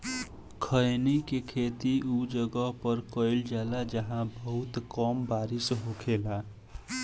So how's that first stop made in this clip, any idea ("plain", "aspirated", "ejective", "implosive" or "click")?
aspirated